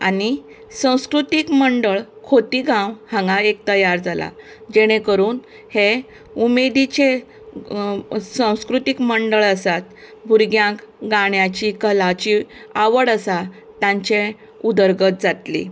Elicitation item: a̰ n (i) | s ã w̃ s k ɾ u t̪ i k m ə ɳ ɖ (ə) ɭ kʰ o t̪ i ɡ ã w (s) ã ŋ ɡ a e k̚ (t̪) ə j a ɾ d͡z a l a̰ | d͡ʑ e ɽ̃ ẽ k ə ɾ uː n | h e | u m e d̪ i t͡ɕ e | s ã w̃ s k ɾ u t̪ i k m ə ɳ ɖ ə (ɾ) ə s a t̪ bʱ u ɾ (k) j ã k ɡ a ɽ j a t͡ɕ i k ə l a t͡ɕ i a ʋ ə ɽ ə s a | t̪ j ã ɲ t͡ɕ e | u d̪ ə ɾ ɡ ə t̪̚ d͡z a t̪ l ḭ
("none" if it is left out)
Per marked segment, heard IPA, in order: i, ə, h, t̪, ɭ, ɡ

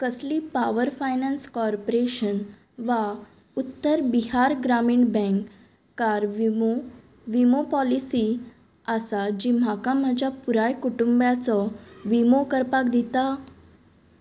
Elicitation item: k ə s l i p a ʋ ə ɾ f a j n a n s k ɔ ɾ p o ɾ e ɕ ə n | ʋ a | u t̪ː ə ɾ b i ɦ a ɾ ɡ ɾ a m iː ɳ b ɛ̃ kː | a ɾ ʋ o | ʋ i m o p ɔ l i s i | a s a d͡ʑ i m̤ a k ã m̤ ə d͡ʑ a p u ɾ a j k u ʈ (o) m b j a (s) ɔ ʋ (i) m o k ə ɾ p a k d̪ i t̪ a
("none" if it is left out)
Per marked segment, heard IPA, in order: u, t͡s, i

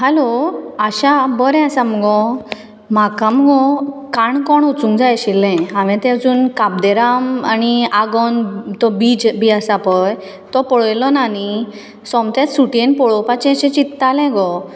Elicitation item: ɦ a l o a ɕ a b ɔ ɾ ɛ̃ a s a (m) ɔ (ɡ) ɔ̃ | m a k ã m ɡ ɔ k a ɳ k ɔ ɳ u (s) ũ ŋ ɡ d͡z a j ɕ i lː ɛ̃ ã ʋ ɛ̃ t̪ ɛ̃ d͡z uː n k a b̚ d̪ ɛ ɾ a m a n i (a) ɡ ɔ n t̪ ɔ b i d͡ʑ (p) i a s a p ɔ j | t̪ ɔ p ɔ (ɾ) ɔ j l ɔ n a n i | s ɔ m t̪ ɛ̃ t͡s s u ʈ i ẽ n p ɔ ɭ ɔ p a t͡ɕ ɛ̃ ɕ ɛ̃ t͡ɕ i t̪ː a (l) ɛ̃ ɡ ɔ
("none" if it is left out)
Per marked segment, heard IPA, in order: m, ɡ, t͡s, a, b, ɭ, l

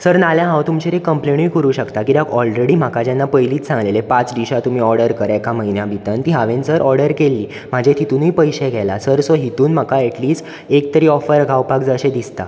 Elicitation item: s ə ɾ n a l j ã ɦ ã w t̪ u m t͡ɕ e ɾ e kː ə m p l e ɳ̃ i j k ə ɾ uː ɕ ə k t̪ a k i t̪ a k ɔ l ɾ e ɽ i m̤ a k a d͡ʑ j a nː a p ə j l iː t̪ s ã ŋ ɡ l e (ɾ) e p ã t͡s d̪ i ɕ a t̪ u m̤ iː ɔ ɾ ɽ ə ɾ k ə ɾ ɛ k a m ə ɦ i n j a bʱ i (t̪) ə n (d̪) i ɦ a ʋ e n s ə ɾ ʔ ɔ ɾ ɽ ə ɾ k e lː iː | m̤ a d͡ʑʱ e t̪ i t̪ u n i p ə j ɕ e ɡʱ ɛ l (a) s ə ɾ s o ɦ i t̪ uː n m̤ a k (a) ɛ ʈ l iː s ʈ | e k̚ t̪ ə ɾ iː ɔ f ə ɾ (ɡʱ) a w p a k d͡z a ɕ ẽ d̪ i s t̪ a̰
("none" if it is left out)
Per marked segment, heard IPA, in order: l, t̪, t̪, a, a, ɡʱ

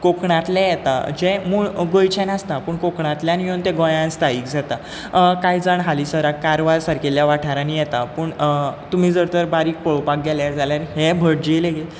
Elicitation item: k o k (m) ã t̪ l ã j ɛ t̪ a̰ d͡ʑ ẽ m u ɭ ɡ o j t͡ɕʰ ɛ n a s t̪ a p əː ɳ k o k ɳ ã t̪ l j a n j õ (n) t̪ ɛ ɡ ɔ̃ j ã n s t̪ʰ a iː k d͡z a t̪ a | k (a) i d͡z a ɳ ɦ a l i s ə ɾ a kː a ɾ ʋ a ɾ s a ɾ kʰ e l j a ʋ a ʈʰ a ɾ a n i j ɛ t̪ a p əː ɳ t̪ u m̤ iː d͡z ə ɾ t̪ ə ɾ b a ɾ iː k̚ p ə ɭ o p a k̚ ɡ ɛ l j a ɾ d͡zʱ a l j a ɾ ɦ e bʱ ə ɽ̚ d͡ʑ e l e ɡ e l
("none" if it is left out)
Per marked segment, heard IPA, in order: ɳ, n, a

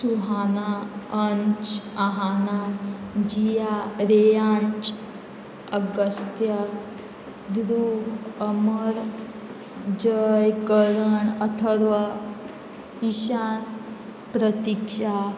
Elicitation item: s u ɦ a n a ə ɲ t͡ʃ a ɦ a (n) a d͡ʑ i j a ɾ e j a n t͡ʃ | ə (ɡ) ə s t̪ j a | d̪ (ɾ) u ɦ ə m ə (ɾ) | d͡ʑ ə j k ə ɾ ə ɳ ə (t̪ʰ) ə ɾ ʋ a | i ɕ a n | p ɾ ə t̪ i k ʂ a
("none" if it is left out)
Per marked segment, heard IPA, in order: n, ɡ, ɾ, ɾ, t̪ʰ

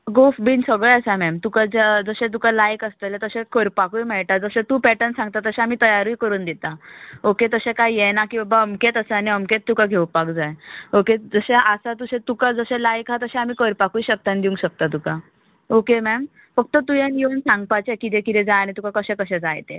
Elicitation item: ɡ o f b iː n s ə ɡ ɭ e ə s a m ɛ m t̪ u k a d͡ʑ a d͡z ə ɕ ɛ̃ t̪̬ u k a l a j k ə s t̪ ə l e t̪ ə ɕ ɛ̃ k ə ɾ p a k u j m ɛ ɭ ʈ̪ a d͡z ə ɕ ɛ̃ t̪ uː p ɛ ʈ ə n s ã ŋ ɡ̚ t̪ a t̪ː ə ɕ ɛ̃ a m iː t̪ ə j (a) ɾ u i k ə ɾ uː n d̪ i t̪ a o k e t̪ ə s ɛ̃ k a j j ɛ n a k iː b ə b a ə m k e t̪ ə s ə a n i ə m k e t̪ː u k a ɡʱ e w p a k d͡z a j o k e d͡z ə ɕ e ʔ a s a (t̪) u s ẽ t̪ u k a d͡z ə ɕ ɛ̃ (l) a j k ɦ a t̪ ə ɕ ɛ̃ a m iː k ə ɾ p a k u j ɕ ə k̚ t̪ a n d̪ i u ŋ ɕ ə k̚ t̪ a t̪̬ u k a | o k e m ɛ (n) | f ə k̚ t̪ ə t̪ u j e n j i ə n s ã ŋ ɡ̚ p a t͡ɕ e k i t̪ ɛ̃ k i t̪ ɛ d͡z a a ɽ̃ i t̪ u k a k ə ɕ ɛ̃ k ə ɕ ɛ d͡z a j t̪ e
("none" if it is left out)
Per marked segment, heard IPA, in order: a, t̪, l, m

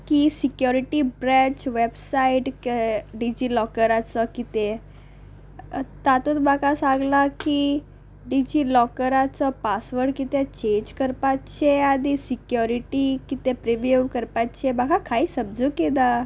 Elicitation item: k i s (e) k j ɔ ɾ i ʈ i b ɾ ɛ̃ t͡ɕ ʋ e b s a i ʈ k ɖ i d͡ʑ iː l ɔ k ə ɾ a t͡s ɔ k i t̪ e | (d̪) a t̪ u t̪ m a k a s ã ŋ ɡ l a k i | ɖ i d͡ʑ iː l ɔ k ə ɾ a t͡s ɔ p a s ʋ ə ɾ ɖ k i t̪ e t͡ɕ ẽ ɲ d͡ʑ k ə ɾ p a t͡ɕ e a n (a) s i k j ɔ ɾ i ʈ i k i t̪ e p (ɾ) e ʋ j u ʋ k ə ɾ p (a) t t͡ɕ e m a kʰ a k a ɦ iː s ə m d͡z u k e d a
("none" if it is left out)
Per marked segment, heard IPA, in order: i, t̪, i, ɾ, a

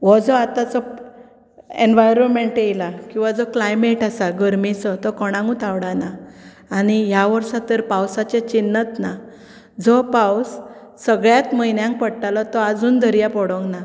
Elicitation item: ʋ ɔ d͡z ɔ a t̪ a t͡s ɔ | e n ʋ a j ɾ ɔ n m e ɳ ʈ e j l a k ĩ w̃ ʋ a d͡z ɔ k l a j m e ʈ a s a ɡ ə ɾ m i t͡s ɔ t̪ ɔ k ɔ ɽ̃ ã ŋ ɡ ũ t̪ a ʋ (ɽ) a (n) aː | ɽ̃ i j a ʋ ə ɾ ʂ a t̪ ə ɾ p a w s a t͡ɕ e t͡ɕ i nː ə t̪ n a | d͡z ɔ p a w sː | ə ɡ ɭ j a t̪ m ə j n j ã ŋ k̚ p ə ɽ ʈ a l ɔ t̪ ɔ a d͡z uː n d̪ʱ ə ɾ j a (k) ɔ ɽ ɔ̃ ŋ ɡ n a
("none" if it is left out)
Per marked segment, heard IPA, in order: ɽ, n, p

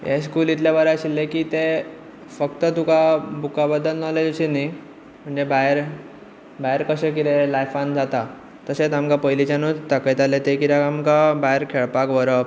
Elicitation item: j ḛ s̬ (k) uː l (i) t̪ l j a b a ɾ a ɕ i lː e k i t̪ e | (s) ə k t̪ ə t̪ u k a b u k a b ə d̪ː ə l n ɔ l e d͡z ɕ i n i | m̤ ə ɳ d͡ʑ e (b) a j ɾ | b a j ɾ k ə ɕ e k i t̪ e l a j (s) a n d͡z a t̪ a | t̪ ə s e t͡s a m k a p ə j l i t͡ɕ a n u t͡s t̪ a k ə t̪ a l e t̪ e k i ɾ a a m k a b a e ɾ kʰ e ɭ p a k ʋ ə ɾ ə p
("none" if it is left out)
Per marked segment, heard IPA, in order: k, i, f, b, f

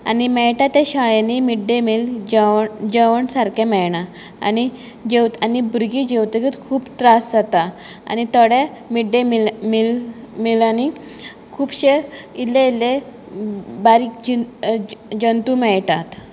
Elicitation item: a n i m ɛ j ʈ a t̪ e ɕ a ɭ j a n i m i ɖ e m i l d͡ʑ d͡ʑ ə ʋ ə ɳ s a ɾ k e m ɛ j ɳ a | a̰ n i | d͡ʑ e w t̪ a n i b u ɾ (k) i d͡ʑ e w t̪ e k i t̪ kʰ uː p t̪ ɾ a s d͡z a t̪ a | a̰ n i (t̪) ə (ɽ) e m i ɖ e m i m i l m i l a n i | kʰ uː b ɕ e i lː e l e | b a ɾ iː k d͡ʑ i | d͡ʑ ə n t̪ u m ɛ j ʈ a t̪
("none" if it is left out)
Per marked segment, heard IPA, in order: ɡ, t̪, ɽ

